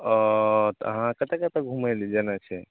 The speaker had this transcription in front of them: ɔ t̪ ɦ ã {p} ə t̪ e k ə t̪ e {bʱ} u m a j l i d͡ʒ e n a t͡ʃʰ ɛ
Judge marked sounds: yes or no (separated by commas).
no, no